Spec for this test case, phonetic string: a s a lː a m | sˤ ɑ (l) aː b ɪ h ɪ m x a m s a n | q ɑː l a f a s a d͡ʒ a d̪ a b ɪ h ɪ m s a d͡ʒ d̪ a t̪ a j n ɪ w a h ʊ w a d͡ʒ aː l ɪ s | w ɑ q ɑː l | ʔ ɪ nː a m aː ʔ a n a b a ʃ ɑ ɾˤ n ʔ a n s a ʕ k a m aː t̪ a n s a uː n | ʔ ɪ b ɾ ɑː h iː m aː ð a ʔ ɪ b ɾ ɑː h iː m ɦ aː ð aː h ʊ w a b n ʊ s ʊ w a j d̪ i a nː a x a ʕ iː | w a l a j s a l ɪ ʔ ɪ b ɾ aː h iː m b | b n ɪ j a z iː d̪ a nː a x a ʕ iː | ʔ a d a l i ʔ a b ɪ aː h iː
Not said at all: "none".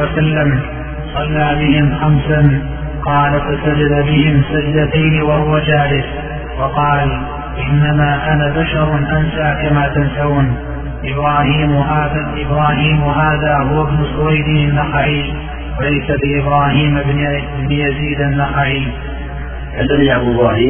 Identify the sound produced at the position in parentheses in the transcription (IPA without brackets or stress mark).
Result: lː